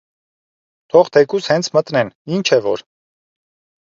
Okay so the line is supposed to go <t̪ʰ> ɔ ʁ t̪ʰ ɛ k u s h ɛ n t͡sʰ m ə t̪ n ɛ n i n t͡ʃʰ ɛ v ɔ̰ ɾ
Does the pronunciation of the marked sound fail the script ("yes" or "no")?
no